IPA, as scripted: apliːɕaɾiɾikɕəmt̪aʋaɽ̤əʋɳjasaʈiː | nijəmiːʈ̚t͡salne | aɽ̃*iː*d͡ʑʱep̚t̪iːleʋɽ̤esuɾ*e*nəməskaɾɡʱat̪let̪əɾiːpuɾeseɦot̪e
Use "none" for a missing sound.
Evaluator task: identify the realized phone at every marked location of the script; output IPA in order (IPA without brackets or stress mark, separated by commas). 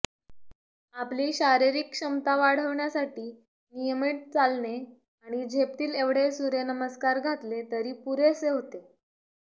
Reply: i, e